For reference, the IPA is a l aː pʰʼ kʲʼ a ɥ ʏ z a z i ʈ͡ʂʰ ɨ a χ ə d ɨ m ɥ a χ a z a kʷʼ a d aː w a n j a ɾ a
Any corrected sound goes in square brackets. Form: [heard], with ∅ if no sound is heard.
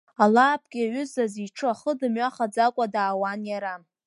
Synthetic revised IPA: a l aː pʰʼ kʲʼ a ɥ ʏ z a z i ʈ͡ʂʰ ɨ a χ ə d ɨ m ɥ a χ a [d͡z] a kʷʼ a d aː w a n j a ɾ a